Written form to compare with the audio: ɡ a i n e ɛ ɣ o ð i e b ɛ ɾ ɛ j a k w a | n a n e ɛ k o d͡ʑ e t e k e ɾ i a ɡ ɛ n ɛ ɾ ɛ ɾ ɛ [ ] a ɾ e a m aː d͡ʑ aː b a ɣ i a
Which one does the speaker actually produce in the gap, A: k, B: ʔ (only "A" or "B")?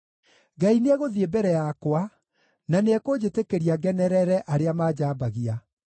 B